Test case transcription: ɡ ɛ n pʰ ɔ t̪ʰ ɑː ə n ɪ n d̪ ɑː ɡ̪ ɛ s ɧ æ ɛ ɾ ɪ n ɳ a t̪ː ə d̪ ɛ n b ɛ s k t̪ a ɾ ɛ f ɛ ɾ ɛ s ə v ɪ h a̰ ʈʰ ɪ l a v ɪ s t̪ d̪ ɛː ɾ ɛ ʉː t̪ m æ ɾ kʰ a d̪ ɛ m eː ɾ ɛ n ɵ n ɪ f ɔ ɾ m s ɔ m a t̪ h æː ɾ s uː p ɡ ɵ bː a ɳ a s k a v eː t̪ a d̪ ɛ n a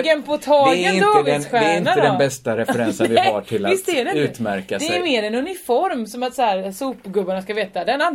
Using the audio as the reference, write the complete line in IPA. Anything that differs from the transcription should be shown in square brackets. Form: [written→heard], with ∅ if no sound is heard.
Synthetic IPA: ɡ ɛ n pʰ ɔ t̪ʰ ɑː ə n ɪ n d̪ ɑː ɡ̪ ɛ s ɧ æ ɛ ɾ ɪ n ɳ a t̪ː ə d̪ ɛ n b ɛ s [k→t] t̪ a ɾ ɛ f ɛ ɾ ɛ s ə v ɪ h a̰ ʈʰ ɪ l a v ɪ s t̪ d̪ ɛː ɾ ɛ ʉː t̪ m æ ɾ [kʰ→k] a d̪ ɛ m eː ɾ ɛ n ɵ n ɪ f ɔ ɾ m s ɔ m a t̪ [h→s] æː ɾ s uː p ɡ ɵ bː a ɳ a s k a v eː t̪ a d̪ ɛ n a